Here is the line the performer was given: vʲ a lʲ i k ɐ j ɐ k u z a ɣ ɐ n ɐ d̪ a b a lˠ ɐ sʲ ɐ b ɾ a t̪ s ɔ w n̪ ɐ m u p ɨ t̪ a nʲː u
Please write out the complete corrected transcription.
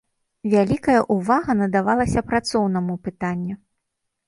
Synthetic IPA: vʲ a lʲ i k ɐ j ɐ ʔ u v a ɣ ɐ n ɐ d̪ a v a lˠ ɐ sʲ ɐ p ɾ a t̪ s ɔ w n̪ ɐ m u p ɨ t̪ a nʲː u